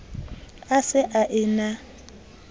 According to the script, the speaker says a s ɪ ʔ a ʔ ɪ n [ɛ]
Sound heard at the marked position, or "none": a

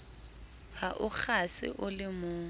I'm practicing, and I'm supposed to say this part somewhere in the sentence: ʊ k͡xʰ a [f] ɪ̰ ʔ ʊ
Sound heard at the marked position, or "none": s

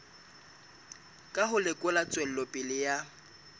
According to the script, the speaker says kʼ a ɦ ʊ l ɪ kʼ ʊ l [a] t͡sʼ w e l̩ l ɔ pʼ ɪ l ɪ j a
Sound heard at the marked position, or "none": a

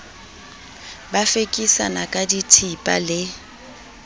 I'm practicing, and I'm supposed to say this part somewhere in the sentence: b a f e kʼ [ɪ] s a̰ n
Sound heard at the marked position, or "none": i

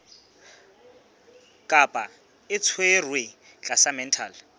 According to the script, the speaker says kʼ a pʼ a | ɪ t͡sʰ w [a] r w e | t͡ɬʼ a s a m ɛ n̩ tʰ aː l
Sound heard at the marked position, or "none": e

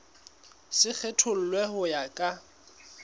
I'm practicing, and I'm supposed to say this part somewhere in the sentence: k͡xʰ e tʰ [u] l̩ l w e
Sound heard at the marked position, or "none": ʊ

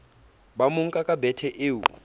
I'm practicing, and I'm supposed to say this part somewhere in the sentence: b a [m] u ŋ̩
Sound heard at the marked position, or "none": m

